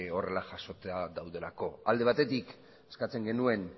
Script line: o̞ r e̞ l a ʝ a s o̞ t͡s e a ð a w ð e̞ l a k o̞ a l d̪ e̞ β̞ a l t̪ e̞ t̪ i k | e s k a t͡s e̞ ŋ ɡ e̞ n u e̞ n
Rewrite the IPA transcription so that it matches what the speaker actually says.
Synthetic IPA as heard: o̞ r e̞ l a ʝ a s o̞ t͡s e a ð a w ð e̞ l a k o̞ a l d̪ e̞ β̞ a t̪ e̞ t̪ i k | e s k a t͡s e̞ ŋ ɡ e̞ n u e̞ n